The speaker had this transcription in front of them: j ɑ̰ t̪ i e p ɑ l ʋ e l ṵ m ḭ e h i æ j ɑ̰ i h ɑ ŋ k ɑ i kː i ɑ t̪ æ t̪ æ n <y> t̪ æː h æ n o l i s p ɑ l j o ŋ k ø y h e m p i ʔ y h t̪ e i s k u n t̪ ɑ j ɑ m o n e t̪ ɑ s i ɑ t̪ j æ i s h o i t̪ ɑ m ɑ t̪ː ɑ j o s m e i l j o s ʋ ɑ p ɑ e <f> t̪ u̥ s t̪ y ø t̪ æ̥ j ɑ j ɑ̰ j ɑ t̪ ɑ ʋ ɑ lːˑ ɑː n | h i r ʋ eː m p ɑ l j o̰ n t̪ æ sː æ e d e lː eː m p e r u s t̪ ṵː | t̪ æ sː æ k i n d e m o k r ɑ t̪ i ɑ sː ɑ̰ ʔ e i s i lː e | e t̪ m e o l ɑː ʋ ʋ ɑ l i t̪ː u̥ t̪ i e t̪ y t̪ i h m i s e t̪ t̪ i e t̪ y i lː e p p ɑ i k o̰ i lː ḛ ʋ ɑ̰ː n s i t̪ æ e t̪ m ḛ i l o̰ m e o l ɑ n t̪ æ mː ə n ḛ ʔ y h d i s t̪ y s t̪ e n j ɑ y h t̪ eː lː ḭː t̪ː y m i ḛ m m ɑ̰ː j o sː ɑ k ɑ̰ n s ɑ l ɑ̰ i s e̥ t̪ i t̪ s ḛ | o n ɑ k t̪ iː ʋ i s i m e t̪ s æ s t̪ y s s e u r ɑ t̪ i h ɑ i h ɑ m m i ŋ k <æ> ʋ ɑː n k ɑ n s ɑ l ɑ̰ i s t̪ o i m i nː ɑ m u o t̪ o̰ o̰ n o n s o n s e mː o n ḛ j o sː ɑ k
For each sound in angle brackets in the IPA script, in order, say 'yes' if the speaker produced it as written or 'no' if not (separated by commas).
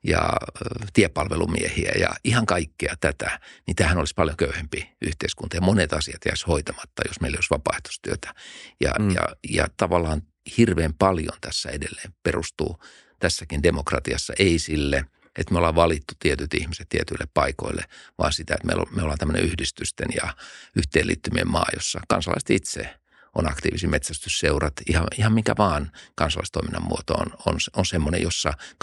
no, no, yes